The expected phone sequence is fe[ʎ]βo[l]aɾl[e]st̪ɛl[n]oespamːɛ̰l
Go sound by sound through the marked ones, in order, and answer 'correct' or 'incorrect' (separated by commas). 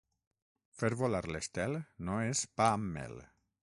incorrect, correct, correct, correct